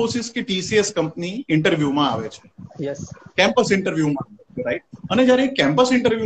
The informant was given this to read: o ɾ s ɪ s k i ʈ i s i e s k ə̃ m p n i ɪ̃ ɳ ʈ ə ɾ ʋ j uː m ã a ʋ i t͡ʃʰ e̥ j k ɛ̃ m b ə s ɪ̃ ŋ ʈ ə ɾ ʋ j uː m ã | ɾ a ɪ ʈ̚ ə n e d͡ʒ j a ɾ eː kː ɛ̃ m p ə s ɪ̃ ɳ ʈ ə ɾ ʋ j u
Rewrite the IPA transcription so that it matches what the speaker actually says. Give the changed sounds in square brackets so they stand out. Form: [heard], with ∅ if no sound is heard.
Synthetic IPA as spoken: o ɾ s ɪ s k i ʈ i s i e s k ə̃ m p n i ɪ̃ ɳ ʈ ə ɾ ʋ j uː m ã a ʋ [e] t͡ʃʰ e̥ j k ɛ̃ m [p] ə s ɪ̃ [ɳ] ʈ ə ɾ ʋ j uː m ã | ɾ a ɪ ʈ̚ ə n e d͡ʒ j a ɾ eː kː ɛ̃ m p ə s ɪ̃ ɳ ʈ ə ɾ ʋ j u